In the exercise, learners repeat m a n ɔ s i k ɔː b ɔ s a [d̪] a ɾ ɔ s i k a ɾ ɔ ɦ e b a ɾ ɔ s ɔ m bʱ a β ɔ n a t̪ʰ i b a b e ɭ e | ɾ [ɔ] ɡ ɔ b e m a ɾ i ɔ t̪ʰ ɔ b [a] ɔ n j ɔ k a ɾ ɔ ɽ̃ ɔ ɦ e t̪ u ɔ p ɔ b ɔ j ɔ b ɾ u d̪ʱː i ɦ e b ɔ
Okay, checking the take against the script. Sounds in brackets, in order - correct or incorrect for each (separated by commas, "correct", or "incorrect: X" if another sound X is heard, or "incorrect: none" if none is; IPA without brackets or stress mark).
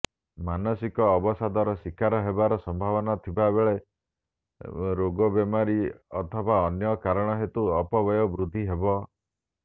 correct, incorrect: o, correct